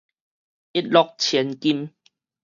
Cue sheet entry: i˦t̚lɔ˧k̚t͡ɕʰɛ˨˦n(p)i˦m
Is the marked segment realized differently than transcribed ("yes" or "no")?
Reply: yes